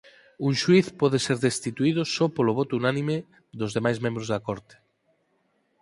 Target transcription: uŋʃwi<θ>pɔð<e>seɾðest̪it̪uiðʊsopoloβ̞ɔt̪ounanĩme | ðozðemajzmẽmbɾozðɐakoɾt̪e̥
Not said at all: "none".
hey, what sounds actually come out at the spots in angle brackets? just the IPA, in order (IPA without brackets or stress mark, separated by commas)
θ, e